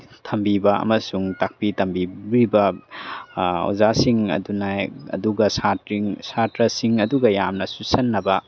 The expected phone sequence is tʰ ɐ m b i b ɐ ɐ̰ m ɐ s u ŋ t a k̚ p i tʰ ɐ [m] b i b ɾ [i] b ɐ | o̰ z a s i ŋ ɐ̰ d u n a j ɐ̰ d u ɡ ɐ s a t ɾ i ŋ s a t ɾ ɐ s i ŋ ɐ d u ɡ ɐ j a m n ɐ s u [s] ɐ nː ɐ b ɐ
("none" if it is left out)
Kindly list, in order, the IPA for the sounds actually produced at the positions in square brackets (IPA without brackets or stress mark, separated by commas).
m, i, s